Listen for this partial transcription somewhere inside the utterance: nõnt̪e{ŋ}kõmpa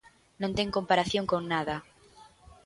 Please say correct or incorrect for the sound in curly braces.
correct